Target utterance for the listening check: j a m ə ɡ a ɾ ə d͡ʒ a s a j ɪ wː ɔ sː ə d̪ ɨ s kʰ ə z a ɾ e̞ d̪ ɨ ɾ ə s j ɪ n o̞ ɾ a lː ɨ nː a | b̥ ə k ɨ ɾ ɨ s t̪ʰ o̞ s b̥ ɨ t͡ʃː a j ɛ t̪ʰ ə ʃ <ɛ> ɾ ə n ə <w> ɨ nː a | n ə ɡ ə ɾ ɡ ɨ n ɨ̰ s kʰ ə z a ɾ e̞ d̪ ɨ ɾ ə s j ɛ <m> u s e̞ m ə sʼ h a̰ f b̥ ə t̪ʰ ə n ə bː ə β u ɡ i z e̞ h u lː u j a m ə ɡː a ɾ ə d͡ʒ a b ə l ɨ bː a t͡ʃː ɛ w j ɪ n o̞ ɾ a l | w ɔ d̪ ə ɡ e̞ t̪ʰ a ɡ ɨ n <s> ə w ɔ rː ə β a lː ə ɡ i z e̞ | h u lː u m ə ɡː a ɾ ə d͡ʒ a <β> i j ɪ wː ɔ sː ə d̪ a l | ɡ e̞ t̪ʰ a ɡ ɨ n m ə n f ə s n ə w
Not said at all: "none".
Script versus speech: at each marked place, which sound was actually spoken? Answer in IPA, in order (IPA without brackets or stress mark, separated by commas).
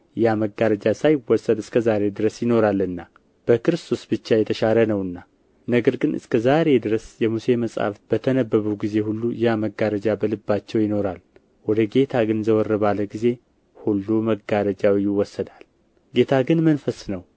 a, w, m, z, w